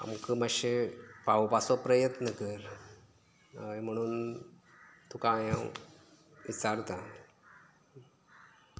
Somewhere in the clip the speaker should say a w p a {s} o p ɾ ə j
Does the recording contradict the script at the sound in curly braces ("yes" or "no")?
no